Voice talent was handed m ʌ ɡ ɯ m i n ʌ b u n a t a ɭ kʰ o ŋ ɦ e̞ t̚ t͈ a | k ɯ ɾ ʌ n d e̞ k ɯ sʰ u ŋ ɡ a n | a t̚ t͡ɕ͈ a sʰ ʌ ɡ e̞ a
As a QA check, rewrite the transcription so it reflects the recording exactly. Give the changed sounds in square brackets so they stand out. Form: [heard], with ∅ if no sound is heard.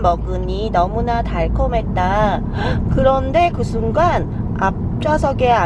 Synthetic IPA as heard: m ʌ ɡ ɯ [ɲ] i n ʌ [m] u n a t a ɭ kʰ o [m] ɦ e̞ t̚ t͈ a | k ɯ ɾ ʌ n d e̞ k ɯ sʰ u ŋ ɡ a n | a [p̚] t͡ɕ͈ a sʰ ʌ ɡ e̞ a